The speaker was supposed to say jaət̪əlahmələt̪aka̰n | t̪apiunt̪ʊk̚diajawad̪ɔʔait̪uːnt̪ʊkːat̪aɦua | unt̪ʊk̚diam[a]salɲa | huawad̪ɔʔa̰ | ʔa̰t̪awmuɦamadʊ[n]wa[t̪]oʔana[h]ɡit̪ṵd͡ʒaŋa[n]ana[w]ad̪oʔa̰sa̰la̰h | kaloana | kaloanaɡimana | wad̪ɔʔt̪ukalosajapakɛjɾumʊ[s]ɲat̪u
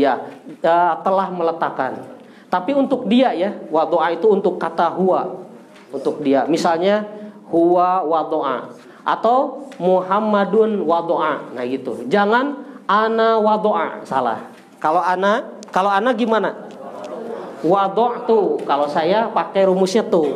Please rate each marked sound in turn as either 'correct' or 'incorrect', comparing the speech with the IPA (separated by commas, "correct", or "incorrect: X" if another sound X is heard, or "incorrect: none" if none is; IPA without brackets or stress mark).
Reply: incorrect: i, correct, incorrect: d̪, correct, correct, correct, correct